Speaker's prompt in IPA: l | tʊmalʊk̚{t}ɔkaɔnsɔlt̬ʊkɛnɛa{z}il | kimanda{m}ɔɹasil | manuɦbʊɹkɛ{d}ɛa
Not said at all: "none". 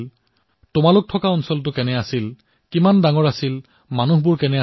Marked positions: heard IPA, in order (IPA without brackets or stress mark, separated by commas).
tʰ, s, ŋ, n